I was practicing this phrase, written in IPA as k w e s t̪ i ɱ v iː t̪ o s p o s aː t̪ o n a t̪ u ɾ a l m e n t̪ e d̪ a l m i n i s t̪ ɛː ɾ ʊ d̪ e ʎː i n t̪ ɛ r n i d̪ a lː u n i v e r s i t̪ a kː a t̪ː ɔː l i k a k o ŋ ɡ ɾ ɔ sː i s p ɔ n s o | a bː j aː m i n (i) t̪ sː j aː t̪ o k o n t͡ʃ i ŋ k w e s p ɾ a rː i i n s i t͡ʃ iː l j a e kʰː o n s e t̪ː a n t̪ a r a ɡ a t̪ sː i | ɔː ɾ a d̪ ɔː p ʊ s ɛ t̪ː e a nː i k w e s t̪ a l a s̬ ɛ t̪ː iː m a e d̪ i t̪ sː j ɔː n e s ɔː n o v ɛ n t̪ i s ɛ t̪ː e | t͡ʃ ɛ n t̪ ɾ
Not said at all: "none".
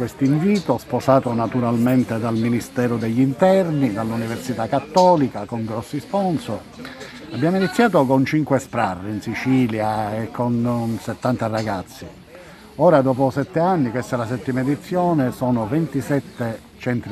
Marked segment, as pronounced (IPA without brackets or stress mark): i